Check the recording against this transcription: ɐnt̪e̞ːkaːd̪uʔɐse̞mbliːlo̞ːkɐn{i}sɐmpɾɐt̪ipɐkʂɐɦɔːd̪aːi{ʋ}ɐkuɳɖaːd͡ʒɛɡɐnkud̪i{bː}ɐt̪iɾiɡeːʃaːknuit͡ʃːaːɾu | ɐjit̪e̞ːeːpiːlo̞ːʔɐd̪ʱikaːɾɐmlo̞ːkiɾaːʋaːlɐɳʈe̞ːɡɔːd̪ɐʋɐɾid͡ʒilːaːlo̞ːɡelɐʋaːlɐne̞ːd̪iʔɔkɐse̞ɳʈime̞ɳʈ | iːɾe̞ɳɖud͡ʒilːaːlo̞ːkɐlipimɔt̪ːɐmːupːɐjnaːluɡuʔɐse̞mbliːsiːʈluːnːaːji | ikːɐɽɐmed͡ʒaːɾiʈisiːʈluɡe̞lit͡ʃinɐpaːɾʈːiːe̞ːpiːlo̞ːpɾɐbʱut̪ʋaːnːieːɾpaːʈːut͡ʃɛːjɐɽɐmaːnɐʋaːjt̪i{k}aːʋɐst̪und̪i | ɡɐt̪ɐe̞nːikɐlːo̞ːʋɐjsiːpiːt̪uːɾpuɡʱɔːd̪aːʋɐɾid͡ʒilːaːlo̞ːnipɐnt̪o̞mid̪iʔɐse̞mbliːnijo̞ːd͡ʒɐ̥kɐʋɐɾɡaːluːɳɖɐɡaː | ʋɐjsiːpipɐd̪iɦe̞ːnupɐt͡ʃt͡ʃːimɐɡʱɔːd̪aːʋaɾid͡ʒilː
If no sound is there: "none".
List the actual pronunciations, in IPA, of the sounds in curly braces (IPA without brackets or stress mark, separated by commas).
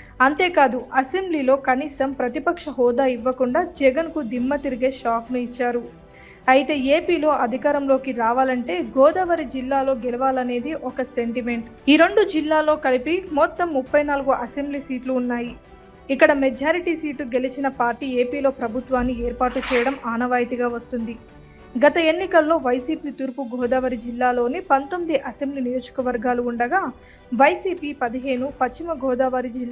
iː, ʋː, mː, ɡ